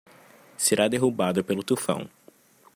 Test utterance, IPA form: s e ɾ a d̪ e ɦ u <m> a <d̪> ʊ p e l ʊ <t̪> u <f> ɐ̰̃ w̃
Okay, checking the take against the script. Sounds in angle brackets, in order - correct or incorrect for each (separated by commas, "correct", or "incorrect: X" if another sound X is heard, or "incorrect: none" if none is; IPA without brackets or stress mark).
incorrect: b, correct, correct, correct